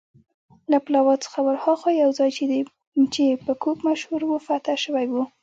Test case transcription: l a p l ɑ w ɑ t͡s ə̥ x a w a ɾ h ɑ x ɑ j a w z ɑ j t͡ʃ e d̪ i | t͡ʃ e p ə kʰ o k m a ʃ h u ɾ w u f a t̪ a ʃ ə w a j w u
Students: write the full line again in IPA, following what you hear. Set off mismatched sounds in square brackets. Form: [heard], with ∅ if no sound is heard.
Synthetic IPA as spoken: l a p l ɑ w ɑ t͡s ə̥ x a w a ɾ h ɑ x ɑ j a w z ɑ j t͡ʃ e d̪ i | t͡ʃ e p ə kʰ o k m a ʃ h u ɾ w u f a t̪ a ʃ ə w a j w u

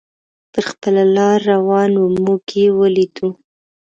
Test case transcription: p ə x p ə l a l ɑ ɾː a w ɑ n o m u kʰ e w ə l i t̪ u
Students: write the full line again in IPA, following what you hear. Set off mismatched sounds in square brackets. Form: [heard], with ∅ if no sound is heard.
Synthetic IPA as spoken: p ə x p ə l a l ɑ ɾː a w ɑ n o m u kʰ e w ə l i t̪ u

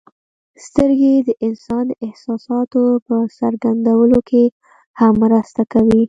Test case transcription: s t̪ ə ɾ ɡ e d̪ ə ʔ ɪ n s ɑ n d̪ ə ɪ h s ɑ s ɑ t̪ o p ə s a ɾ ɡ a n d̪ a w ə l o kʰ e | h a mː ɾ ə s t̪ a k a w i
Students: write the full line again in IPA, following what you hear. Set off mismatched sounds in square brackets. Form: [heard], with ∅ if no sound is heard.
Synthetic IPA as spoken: s t̪ ə ɾ ɡ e d̪ ə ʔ ɪ n s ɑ n d̪ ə ɪ h s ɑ s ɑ t̪ o p ə s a ɾ ɡ a n d̪ a w ə l o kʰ e | h a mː ɾ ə s t̪ a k a w i

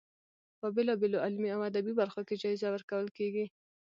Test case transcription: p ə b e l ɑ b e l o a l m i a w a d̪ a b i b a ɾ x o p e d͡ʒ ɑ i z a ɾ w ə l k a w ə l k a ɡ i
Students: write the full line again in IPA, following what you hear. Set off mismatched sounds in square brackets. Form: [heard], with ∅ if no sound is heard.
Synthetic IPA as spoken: p ə b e l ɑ b e l o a l m i a w a d̪ a b i b a ɾ x o [k] e d͡ʒ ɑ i z a [∅] w ə [ɾ] k a w ə l k [e] ɡ i

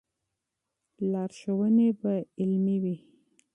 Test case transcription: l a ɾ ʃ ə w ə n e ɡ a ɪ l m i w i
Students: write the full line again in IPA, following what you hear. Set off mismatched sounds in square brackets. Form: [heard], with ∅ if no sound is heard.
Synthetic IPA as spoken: l [ɑ] ɾ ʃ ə w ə n e [b] a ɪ l m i w i

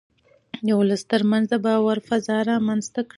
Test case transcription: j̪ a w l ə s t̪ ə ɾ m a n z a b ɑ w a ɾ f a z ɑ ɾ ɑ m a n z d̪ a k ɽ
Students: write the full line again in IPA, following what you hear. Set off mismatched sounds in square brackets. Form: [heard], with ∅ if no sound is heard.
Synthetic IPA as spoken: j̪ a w l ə s t̪ ə ɾ m a n z a b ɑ w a ɾ f a z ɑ ɾ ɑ m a n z [t̪] a k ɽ

